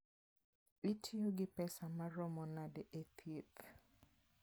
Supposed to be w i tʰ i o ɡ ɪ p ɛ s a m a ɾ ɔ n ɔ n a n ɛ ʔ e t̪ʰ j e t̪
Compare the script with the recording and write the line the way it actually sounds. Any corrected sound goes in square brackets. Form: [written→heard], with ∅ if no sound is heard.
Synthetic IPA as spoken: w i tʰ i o ɡ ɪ p ɛ s a m a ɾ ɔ [n→m] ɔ n a [n→d] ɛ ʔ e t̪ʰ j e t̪